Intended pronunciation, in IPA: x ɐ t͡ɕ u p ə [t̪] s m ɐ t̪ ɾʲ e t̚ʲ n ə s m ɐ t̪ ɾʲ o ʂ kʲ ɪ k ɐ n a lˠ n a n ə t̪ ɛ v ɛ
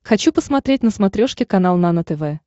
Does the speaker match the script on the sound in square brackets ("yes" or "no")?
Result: no